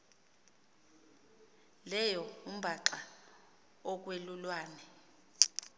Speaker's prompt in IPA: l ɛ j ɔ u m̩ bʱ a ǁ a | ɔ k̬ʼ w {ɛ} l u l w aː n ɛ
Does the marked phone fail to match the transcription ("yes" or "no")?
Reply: yes